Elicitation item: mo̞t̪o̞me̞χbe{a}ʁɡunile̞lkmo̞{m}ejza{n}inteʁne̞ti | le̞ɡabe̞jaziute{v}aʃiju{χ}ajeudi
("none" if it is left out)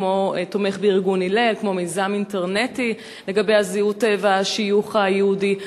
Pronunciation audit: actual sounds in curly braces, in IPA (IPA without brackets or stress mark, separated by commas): i, m, m, v, χ